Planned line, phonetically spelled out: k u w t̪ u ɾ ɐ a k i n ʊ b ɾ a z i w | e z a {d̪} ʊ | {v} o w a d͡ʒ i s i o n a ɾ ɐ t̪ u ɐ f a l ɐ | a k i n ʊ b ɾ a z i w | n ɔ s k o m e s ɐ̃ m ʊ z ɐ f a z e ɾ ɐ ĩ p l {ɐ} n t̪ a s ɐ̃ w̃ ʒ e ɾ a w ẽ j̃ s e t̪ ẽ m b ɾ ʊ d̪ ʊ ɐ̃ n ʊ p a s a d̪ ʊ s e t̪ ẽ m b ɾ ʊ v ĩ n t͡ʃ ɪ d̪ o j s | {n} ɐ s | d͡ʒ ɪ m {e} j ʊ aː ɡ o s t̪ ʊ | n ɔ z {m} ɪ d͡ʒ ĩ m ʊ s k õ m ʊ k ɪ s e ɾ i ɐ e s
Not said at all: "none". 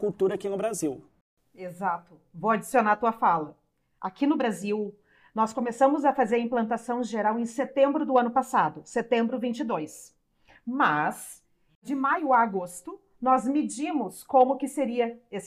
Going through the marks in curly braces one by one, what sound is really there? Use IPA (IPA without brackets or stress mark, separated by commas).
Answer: t̪, v, ɐ̃, m, a, m